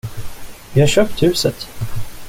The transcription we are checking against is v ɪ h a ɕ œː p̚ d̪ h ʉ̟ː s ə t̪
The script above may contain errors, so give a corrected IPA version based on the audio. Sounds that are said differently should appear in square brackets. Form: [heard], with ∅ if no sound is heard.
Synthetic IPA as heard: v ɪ h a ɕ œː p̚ [t̪] h ʉ̟ː s ə t̪